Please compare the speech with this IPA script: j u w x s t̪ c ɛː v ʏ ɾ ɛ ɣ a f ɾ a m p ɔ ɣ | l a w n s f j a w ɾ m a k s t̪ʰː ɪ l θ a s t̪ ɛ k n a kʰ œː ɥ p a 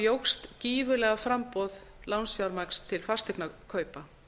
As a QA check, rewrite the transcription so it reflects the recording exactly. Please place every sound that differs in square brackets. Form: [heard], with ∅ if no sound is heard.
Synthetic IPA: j [o] w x s t̪ c [iː] v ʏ [l] ɛ ɣ a f ɾ a m p ɔ [ð] | l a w n s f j a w ɾ m a k s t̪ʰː ɪ l [f] a s t̪ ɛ k n a kʰ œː ɥ p a